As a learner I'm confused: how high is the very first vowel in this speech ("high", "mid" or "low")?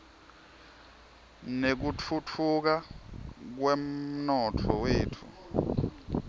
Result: mid